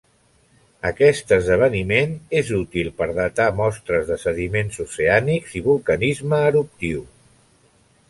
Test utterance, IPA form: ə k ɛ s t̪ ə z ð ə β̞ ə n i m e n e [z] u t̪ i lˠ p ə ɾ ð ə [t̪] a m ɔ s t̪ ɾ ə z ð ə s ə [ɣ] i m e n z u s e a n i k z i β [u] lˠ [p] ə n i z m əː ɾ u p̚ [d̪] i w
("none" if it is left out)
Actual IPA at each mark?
z, t̪, ð, u, k, t̪

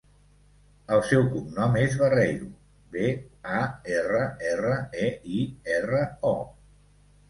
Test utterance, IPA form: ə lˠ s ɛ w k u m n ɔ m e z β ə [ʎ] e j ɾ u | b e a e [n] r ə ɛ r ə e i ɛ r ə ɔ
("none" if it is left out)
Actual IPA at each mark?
r, none

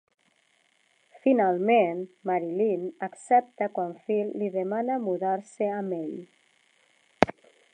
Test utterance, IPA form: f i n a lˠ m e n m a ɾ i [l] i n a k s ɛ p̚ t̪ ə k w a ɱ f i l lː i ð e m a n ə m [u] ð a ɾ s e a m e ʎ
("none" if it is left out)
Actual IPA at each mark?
l, u

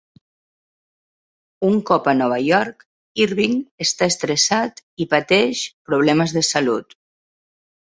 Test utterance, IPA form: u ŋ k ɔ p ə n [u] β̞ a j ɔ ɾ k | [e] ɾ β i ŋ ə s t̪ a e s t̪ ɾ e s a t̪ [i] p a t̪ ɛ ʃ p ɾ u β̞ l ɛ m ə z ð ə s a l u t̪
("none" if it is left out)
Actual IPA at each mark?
ɔ, i, i

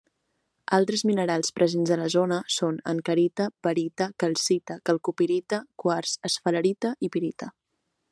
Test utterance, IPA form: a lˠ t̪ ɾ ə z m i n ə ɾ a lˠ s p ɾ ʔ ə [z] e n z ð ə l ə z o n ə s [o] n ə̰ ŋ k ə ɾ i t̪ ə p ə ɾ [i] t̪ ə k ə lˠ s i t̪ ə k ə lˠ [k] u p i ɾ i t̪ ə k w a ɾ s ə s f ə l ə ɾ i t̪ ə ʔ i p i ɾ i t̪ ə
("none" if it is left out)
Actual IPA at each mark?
z, o, i, k

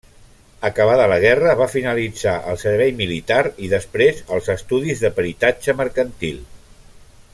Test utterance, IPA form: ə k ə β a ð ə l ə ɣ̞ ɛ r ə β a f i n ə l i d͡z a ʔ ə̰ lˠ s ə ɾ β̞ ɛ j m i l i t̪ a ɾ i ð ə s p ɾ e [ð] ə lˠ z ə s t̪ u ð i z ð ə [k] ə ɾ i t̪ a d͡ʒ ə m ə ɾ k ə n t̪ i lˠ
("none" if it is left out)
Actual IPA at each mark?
z, p

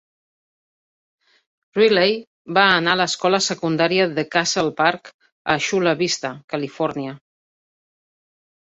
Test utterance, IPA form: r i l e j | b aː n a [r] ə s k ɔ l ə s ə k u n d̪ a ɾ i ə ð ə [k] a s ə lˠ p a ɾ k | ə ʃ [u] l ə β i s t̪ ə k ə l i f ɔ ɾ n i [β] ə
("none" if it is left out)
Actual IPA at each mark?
l, k, u, none

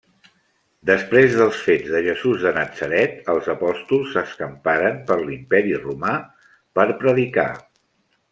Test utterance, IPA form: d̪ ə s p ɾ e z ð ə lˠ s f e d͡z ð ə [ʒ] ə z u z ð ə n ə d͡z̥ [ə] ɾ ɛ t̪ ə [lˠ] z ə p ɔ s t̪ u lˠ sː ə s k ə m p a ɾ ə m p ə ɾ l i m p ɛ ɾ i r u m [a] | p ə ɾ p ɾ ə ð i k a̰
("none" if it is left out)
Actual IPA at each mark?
ʒ, ə, lˠ, a

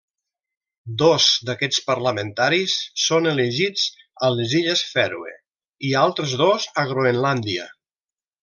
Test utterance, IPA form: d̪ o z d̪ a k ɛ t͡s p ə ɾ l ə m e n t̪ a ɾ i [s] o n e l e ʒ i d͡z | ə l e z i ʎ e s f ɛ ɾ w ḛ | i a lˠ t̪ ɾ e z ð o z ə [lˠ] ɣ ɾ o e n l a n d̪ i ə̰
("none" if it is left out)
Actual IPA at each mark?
sː, none

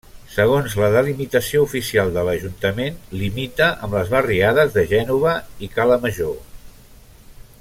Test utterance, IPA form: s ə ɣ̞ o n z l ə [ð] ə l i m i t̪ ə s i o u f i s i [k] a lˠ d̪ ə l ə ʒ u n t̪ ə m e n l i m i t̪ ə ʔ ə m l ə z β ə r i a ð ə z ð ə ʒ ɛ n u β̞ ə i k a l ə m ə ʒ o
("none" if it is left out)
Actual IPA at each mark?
ð, none

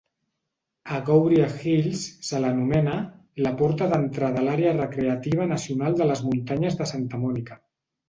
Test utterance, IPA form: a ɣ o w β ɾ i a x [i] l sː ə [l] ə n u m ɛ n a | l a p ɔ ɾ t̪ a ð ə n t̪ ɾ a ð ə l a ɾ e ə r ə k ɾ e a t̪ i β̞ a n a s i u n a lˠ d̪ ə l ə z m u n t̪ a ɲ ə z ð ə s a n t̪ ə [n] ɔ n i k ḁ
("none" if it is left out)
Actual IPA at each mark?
i, l, m

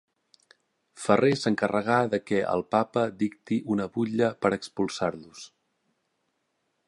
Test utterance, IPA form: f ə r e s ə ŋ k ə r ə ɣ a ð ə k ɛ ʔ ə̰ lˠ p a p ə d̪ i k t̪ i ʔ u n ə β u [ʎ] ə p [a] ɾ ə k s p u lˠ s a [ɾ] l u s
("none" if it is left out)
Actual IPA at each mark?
ʎ, ə, ɾ

